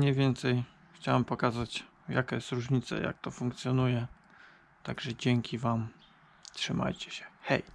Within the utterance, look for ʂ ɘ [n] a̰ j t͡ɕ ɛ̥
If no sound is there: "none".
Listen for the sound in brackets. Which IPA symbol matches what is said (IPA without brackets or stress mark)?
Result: m